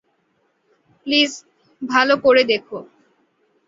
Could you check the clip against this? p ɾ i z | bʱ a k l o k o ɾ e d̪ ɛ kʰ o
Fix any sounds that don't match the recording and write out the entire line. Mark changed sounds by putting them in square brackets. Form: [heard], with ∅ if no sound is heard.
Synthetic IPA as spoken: p [l] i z | bʱ a [∅] l o k o ɾ e d̪ [e] kʰ o